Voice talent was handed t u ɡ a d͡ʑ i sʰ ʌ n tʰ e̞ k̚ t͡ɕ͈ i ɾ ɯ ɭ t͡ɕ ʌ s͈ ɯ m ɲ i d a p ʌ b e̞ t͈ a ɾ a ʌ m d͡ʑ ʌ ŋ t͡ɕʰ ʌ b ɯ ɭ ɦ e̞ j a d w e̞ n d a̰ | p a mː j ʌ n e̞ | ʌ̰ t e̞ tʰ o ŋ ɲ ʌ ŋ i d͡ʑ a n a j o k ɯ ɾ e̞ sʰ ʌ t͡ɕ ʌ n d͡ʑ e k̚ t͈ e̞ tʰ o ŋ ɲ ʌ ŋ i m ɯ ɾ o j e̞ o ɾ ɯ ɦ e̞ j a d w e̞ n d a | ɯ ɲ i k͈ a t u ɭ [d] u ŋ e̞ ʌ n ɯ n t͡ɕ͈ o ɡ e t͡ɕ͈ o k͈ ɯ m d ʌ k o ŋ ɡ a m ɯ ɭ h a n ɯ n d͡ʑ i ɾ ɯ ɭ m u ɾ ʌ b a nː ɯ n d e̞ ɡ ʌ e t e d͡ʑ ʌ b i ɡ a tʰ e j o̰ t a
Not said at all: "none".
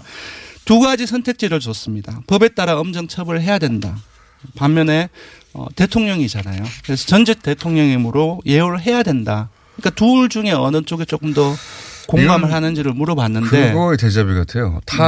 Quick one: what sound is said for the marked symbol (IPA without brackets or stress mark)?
d͡ʑ